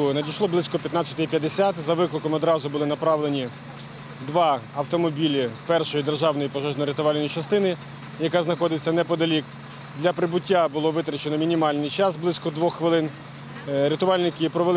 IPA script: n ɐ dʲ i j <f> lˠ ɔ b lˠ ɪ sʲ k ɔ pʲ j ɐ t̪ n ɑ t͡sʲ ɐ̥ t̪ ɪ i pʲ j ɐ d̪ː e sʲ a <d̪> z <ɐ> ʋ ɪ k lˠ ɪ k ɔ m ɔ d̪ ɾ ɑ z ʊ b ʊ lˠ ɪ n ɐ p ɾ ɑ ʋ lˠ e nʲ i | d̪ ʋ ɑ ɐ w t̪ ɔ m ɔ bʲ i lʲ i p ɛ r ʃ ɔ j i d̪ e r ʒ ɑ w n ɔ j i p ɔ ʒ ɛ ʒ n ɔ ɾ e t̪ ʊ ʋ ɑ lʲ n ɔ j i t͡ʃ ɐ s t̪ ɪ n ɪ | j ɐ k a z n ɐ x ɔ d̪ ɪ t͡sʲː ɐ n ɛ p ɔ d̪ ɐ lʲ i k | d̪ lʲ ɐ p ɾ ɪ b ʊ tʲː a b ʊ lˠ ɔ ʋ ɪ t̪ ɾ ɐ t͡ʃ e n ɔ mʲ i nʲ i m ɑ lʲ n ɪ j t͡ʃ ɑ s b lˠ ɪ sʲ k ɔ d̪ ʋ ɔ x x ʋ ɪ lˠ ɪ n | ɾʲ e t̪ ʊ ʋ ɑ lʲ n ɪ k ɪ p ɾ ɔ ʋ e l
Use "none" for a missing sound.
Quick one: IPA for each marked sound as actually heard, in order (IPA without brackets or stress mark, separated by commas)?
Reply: ʃ, t̪, ɐ